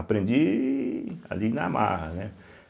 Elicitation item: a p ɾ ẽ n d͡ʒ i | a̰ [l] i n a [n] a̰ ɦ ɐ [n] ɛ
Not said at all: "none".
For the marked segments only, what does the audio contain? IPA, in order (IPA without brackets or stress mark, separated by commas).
l, m, n